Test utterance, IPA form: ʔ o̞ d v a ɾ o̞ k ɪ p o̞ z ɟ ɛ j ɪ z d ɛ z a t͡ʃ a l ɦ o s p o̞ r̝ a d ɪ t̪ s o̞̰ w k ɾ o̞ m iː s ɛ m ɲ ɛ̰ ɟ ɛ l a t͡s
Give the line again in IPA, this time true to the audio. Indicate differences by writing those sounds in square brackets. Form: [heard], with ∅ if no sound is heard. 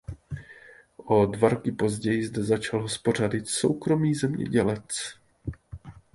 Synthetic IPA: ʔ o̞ d v a ɾ o̞ k ɪ p o̞ z ɟ ɛ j ɪ z d ɛ z a t͡ʃ a l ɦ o s p o̞ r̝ a d ɪ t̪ s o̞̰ w k ɾ o̞ m iː [z] ɛ m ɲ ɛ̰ ɟ ɛ l [ɛ] t͡s